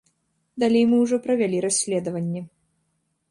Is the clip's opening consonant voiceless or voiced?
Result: voiced